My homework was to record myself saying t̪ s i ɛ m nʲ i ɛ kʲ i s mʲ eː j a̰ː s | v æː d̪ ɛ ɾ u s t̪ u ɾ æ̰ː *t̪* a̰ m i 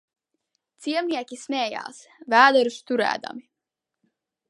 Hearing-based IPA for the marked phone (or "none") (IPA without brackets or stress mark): d̪